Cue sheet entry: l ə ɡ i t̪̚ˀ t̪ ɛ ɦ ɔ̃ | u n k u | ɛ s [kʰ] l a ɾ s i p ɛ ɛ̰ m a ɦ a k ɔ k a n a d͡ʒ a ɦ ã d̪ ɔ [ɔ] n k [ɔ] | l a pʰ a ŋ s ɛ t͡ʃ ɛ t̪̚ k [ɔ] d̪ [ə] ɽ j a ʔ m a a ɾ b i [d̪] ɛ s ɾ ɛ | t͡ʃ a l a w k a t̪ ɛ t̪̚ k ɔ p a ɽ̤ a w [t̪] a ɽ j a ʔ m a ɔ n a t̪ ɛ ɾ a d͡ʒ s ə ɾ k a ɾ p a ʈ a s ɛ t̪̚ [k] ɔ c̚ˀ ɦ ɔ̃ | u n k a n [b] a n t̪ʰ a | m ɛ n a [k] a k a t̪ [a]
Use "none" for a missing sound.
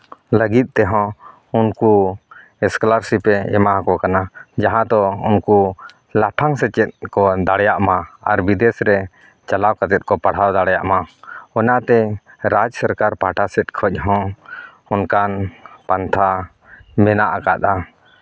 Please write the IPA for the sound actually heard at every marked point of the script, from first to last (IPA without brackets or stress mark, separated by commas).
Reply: k, u, u, ɔ, a, d̪, d̪, kʰ, p, ʔ, a